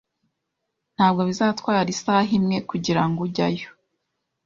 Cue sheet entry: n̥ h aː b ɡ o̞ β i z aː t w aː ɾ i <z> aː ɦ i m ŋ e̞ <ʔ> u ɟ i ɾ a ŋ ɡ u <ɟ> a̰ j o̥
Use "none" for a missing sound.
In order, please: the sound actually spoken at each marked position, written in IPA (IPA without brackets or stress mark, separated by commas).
s, k, ɟ